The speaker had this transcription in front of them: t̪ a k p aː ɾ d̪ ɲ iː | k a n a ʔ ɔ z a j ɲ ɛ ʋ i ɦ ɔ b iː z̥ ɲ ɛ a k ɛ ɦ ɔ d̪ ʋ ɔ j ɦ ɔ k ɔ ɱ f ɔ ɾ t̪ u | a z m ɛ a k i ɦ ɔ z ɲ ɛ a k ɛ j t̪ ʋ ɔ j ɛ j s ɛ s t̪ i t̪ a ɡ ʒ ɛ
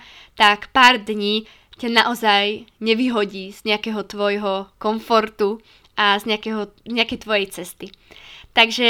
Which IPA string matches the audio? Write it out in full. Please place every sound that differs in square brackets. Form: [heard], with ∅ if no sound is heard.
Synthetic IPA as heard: t̪ a k p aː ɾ d̪ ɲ iː | [c] a n a ʔ ɔ z a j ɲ ɛ ʋ i ɦ ɔ [ɟ] iː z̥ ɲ ɛ a k ɛ ɦ ɔ [t̪] ʋ ɔ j ɦ ɔ k ɔ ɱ f ɔ ɾ t̪ u | a z [ɲ] ɛ a k [ɛ] ɦ ɔ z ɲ ɛ a k ɛ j t̪ ʋ ɔ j ɛ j [t͡s] ɛ s t̪ i t̪ a ɡ ʒ ɛ